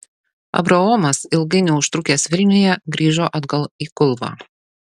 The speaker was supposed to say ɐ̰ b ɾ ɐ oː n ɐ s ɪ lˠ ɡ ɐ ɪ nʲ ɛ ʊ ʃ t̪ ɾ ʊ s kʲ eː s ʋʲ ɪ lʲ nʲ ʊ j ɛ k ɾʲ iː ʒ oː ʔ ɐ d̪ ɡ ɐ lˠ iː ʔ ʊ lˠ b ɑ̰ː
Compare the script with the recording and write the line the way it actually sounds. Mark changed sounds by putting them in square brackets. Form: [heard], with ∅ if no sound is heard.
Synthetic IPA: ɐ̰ b ɾ ɐ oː [m] ɐ s ɪ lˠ ɡ ɐ ɪ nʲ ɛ ʊ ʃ t̪ ɾ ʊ [∅] kʲ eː s ʋʲ ɪ lʲ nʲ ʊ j ɛ [ɡ] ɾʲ iː ʒ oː ʔ ɐ d̪ ɡ ɐ lˠ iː [k] ʊ lˠ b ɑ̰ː